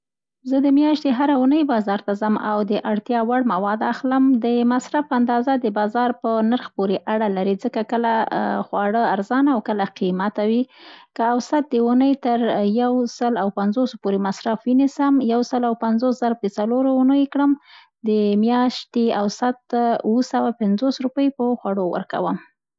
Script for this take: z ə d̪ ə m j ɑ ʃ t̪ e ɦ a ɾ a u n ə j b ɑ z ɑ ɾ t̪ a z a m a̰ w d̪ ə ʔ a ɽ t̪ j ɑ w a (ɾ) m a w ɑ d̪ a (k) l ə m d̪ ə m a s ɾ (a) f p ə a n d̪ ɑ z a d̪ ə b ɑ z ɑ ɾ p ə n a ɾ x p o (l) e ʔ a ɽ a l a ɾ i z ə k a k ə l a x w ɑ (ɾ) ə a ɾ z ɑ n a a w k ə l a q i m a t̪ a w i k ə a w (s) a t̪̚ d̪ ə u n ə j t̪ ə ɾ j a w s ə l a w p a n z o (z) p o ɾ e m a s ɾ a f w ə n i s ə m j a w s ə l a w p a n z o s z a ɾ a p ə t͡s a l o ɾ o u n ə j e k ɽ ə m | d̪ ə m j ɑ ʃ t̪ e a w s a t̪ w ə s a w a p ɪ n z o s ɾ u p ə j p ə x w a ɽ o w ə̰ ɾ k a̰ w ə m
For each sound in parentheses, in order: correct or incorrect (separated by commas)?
incorrect, incorrect, correct, incorrect, incorrect, correct, incorrect